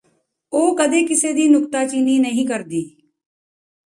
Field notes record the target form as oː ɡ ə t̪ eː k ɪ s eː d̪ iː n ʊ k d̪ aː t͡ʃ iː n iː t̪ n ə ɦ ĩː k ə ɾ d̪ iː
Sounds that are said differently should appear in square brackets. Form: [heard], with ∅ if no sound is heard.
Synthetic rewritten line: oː [k] ə [d̪] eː k ɪ s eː d̪ iː n ʊ k [t̪] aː t͡ʃ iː n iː [∅] n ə ɦ ĩː k ə ɾ d̪ iː